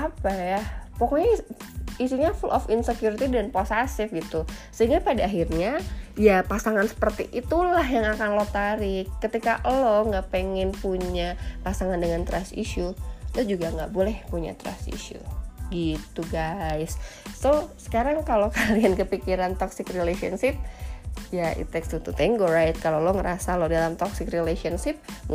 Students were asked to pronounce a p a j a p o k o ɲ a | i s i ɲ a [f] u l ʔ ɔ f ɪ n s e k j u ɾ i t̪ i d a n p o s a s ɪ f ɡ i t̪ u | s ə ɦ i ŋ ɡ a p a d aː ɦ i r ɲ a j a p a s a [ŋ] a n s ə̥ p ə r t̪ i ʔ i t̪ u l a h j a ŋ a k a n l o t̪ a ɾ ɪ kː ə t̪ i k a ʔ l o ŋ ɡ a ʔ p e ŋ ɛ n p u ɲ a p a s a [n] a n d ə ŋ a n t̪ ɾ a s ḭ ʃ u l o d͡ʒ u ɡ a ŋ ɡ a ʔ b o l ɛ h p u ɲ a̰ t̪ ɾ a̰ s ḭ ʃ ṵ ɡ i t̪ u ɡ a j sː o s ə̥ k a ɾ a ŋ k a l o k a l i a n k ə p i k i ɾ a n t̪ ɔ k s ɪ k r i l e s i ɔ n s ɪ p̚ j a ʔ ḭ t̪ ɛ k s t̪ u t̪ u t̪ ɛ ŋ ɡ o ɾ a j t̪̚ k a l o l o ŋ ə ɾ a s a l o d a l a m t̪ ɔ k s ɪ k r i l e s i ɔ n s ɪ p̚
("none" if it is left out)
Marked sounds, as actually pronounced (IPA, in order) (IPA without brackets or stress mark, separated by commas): f, ŋ, ŋ